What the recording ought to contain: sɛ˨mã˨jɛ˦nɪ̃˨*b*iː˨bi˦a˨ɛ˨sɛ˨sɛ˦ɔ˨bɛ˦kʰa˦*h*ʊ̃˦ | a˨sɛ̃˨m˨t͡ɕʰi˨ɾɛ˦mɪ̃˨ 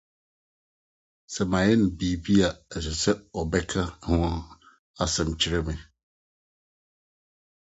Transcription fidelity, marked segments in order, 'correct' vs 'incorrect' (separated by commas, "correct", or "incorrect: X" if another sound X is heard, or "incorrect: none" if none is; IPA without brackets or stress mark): correct, correct